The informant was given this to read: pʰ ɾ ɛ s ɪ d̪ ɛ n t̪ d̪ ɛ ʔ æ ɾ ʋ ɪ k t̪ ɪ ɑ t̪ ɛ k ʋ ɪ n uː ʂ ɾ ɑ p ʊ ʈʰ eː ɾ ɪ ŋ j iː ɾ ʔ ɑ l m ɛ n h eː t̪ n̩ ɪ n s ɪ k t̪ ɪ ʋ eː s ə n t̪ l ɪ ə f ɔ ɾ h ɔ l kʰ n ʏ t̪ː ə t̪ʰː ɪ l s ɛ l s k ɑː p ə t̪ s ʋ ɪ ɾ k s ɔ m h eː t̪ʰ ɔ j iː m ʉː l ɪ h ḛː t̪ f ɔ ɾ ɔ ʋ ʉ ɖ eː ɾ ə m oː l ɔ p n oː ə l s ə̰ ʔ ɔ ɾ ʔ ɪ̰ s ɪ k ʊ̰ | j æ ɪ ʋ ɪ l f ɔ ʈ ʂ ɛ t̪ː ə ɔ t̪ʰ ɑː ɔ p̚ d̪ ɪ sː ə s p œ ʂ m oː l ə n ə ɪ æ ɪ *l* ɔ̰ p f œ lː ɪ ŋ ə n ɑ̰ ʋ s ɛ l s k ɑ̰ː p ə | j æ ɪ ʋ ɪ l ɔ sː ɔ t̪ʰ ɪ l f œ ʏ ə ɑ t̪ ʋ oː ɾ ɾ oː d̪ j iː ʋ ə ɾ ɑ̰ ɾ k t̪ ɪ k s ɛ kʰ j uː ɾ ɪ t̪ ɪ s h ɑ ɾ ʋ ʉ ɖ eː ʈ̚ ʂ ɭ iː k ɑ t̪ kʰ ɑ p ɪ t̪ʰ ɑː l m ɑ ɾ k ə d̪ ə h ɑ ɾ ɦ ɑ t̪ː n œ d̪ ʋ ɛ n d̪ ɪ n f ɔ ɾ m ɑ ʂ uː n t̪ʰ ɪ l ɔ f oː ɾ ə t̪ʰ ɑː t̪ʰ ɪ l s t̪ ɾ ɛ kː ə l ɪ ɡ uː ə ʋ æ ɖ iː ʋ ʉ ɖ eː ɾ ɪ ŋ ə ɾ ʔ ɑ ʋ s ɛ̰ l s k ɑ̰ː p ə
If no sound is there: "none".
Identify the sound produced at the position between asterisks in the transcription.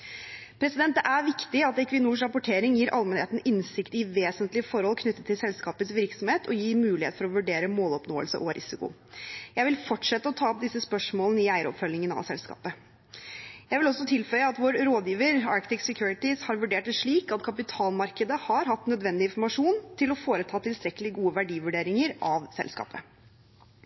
ɾ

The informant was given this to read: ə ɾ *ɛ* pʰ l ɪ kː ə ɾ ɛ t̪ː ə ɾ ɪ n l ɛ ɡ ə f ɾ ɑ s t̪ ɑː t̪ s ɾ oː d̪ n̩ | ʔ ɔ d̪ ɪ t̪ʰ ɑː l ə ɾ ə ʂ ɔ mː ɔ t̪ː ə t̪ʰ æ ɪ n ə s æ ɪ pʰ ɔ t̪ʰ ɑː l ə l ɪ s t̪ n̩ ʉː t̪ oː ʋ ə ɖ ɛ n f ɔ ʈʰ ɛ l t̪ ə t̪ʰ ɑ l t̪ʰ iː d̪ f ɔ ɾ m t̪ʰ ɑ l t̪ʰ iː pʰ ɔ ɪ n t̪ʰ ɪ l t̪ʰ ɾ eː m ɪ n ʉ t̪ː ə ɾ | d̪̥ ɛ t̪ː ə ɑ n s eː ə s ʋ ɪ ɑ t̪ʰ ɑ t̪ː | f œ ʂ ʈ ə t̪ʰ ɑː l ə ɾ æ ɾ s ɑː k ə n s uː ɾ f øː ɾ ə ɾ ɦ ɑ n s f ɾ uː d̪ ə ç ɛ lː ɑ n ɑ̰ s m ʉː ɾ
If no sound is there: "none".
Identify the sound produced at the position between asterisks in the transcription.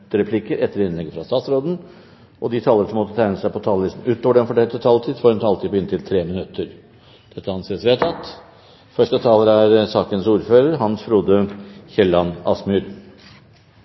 ɛ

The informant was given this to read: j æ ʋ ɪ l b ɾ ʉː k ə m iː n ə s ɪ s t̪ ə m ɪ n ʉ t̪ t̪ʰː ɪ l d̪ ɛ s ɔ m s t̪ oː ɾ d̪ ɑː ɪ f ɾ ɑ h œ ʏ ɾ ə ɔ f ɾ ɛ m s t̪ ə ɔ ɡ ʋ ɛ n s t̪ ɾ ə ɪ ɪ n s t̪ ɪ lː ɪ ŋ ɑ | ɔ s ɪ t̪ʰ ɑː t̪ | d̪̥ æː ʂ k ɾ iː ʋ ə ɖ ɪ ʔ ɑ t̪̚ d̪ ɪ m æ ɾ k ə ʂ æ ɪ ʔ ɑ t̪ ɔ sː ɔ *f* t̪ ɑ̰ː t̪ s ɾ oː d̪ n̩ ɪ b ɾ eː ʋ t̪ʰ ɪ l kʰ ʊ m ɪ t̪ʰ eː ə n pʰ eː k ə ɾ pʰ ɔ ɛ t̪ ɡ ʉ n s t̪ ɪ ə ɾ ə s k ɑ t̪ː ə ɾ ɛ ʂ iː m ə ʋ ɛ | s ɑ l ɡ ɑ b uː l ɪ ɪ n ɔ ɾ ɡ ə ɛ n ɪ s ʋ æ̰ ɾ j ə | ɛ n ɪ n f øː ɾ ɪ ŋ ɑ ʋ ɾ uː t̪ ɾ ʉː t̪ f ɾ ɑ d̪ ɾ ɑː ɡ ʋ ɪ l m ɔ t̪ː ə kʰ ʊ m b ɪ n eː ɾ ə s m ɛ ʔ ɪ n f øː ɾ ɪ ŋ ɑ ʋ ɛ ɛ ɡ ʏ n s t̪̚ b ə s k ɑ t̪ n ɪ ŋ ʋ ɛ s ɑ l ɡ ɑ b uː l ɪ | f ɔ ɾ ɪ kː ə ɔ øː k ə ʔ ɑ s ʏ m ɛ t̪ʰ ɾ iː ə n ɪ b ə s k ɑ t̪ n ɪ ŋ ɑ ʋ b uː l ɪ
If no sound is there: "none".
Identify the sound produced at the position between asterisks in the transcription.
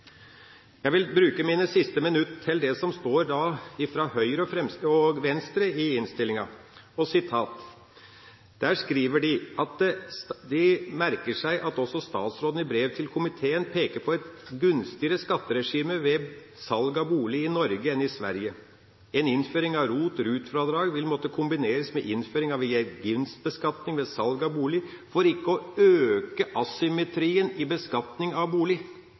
s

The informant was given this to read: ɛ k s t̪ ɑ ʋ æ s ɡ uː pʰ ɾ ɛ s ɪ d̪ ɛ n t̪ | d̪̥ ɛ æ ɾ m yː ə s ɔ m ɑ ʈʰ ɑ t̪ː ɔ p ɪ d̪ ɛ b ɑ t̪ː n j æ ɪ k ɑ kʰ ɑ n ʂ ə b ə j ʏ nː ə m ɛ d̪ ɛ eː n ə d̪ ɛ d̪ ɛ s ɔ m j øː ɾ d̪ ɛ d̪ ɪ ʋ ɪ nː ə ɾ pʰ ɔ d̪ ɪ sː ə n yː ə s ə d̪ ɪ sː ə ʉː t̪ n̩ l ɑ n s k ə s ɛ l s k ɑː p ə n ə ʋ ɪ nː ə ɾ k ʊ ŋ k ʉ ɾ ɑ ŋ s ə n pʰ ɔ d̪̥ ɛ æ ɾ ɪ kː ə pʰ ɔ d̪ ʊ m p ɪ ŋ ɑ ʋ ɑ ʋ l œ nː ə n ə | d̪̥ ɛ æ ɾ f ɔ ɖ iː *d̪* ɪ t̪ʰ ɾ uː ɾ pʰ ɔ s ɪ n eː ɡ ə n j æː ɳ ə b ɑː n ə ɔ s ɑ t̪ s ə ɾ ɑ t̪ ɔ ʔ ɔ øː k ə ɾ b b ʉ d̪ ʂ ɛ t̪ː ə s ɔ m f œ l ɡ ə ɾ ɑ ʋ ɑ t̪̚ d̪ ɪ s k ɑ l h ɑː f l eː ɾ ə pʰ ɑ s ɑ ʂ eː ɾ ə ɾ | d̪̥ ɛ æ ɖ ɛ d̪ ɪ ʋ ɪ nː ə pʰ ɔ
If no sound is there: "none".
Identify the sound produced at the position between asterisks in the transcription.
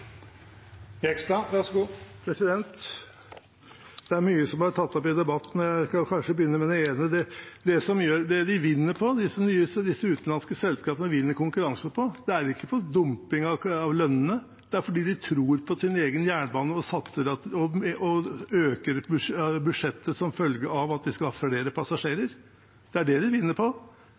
d̪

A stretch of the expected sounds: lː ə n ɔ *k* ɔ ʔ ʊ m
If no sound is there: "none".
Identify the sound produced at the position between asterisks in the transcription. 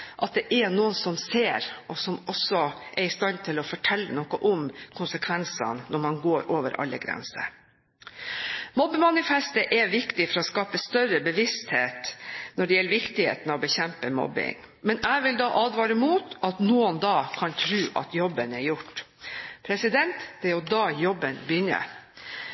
k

